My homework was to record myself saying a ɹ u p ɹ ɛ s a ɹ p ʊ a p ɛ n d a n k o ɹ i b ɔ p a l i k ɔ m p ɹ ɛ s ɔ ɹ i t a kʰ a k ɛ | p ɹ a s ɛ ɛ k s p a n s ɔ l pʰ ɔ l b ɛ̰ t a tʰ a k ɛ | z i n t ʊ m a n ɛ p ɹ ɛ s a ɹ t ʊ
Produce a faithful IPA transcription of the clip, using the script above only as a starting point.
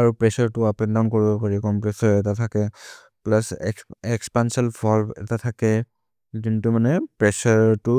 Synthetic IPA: a ɹ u p ɹ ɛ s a ɹ t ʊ a p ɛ n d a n k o ɹ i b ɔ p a ɹ i k ɔ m p ɹ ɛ s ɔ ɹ ɛ t a tʰ a k ɛ | p l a s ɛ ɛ k s p a n s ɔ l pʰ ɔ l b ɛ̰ t a tʰ a k ɛ | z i n t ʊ m a n ɛ p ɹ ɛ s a ɹ t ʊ